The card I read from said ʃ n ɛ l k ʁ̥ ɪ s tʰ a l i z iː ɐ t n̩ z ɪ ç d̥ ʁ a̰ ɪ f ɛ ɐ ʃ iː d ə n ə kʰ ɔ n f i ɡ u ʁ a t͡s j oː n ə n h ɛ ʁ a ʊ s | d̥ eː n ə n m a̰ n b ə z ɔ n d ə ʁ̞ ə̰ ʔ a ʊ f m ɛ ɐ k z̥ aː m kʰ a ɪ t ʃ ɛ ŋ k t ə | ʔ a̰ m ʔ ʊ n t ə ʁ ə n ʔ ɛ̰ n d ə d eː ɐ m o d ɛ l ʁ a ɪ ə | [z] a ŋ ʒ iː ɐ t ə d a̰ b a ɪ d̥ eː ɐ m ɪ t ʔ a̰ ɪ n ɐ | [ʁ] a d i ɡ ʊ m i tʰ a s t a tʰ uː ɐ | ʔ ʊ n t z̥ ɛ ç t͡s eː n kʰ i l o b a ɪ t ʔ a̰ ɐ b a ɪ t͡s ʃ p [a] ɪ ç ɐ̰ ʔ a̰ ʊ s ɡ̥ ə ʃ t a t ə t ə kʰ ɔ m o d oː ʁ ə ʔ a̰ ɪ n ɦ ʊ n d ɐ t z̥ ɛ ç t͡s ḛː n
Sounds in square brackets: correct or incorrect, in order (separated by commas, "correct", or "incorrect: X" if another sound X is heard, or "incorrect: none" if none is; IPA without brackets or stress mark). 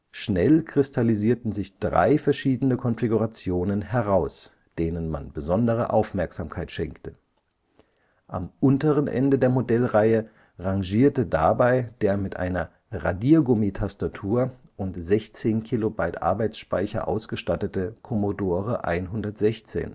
incorrect: ʁ, correct, correct